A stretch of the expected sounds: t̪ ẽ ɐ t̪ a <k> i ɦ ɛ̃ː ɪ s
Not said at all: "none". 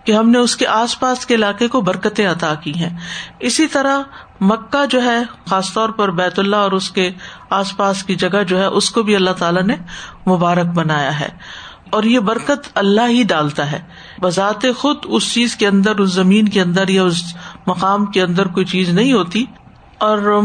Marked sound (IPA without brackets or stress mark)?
k